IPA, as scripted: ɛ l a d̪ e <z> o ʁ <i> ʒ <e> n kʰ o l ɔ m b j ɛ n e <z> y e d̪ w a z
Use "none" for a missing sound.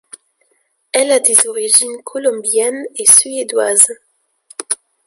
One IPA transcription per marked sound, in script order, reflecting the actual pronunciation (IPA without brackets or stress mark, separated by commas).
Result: z, i, i, s